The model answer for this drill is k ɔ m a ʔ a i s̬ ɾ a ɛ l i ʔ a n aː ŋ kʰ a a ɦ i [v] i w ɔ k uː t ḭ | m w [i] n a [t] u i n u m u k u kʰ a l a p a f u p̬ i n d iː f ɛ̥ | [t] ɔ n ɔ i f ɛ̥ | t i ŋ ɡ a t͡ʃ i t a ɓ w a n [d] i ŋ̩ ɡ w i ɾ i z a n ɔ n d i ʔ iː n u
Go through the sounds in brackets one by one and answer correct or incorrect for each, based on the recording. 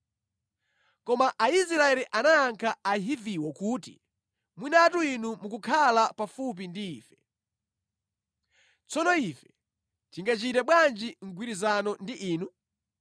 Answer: correct, correct, correct, incorrect: t͡s, incorrect: d͡ʒ

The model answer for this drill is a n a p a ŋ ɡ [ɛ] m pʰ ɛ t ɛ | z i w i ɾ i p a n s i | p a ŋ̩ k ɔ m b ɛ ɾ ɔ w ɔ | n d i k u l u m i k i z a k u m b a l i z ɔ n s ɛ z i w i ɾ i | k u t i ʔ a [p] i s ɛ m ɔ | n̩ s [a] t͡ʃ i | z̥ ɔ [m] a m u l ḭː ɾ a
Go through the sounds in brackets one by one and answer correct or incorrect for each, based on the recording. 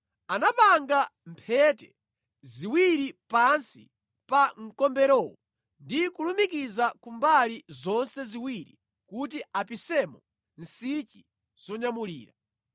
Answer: incorrect: a, correct, incorrect: i, incorrect: ɲ

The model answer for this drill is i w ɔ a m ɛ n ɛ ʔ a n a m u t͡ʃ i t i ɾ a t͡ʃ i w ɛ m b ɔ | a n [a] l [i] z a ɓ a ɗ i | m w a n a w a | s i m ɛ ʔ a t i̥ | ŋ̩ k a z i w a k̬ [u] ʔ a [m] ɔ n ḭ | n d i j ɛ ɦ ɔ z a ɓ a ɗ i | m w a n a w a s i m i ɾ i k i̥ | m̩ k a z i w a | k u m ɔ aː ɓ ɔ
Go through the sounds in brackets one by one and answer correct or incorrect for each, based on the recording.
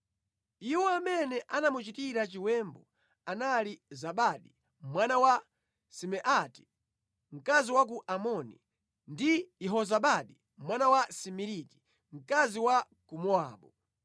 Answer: correct, correct, correct, correct

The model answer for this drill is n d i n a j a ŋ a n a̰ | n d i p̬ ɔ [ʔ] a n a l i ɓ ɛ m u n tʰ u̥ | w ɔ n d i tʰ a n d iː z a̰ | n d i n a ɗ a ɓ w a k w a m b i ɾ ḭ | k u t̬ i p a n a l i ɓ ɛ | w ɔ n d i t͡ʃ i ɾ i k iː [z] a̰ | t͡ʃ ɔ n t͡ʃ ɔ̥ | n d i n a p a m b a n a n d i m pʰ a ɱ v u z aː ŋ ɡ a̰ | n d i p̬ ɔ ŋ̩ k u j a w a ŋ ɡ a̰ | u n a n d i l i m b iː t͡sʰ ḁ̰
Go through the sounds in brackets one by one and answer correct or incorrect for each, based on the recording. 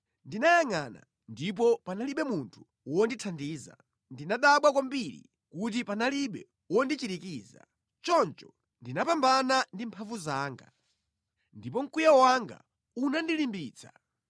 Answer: incorrect: p, correct

